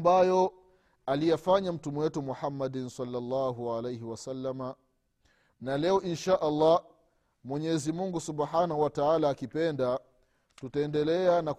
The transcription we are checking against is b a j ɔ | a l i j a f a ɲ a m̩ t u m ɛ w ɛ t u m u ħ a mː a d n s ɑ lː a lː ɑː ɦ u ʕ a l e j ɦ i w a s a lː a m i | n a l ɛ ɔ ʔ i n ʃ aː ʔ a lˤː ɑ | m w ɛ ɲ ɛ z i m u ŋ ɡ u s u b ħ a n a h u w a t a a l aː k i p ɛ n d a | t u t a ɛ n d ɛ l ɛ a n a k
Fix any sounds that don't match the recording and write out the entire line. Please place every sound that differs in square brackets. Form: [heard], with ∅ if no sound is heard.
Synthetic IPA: b a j ɔ | a l i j a f a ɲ a m̩ t u m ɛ w ɛ t u m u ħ a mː a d n s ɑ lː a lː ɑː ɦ u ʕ a l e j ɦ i w a s a lː a m [a] | n a l ɛ ɔ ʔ i n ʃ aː ʔ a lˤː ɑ | m w ɛ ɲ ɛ z i m u ŋ ɡ u s u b ħ a n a h u w a t a a l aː k i p ɛ n d a | t u t a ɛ n d ɛ l ɛ a n a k